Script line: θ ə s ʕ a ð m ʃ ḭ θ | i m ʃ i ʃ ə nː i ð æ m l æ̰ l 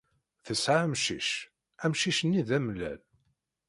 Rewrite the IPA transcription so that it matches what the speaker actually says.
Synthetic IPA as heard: θ ə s ʕ a m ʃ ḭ ʃ | æ m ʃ i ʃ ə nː i ð æ m l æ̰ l